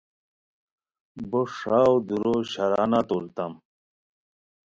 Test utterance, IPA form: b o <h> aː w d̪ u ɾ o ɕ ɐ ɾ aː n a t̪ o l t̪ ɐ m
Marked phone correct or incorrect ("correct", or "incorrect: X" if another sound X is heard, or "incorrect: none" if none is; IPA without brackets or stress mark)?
incorrect: ʂ